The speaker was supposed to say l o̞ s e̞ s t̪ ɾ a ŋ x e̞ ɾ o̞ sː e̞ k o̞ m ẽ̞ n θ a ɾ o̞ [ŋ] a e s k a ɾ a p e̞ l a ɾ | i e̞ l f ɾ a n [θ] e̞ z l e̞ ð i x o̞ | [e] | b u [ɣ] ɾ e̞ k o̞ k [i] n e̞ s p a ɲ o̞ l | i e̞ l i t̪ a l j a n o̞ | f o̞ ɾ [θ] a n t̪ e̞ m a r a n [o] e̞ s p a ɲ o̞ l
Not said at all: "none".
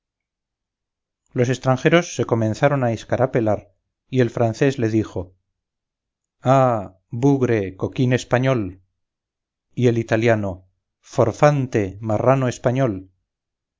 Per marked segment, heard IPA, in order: n, θ, a, ɣ, i, f, o

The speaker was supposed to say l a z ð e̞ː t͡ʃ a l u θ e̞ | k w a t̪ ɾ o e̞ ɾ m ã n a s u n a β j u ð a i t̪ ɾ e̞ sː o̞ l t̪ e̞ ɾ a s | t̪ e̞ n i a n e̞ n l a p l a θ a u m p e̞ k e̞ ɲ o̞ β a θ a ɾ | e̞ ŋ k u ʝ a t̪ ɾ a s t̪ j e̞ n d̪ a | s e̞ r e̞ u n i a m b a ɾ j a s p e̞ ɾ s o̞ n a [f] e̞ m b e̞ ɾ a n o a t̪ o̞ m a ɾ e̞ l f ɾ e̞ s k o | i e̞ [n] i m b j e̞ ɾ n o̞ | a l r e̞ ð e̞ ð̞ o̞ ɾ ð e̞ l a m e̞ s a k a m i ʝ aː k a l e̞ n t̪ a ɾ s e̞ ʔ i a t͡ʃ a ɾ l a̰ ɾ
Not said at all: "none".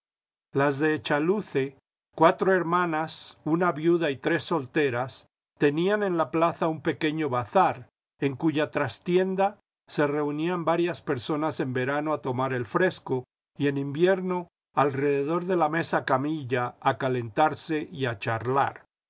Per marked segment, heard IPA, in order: s, n

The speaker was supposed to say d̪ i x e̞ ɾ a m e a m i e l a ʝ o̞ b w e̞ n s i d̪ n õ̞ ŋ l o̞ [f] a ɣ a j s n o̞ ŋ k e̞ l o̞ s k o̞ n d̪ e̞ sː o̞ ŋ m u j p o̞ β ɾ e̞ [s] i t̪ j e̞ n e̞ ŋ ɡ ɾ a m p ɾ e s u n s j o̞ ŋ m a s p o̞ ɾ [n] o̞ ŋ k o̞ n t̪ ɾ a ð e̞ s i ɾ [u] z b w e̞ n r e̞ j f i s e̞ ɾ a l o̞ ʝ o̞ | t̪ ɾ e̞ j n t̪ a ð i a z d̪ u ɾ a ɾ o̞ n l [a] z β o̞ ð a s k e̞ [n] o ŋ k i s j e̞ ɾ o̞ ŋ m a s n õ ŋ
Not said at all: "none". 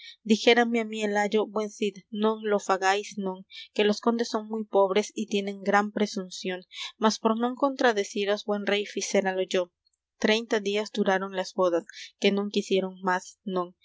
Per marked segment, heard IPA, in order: f, s, n, o, a, n

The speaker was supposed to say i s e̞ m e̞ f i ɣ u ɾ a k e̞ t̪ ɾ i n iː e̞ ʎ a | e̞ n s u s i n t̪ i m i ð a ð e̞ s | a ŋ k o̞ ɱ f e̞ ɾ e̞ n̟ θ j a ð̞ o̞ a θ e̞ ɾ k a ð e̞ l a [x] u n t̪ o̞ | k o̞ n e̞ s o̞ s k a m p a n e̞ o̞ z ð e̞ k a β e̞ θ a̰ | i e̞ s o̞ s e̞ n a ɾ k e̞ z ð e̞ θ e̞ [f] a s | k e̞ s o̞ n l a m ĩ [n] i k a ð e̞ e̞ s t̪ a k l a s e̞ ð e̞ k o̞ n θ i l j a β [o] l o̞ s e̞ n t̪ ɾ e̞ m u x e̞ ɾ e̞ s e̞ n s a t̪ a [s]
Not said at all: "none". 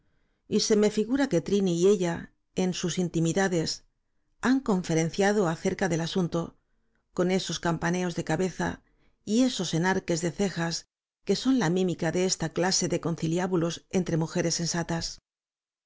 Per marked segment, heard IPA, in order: s, x, m, u, s

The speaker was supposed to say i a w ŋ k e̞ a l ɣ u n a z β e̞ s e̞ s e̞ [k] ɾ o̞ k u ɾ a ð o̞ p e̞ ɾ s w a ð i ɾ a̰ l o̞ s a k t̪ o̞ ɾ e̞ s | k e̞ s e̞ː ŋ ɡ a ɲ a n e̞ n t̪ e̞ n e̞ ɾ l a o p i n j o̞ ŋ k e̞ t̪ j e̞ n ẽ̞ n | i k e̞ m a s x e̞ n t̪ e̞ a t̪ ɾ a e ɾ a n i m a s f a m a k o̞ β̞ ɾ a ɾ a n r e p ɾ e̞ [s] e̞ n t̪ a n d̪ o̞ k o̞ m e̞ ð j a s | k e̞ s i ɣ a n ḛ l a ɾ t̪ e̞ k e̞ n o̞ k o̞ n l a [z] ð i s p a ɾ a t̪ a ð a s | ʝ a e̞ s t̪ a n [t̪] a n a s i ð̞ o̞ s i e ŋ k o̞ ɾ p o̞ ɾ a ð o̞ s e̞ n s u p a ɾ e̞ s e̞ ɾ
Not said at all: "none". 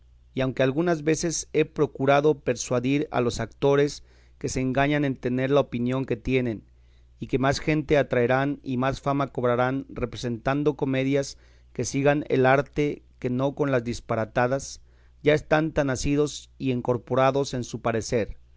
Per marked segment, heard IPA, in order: p, s, z, t̪

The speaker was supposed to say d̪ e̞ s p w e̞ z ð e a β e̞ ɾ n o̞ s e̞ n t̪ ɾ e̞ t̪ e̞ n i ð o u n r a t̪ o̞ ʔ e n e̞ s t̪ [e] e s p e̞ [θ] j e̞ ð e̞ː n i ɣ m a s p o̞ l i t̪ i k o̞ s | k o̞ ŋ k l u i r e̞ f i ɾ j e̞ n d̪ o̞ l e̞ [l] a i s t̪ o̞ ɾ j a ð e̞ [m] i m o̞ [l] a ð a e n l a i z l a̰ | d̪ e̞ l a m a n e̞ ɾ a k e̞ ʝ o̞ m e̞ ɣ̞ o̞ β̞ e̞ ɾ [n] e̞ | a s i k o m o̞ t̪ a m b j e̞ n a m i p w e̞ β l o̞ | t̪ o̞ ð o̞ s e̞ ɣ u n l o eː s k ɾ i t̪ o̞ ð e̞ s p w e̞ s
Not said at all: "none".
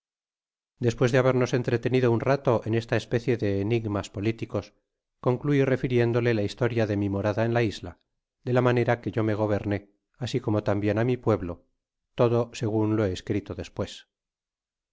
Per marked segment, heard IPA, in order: a, θ, l, m, ɾ, n

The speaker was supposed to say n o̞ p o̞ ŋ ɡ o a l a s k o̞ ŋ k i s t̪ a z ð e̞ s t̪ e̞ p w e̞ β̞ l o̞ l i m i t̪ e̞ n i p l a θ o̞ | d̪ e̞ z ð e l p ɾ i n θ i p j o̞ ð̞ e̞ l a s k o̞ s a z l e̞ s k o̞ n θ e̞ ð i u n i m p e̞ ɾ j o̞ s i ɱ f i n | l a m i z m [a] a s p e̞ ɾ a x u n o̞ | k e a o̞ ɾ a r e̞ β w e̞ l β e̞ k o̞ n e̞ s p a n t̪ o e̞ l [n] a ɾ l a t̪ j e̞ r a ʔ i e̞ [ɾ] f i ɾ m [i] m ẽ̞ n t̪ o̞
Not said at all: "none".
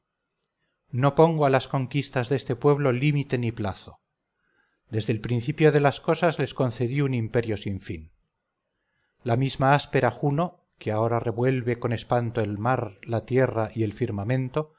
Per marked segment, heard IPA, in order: a, m, l, a

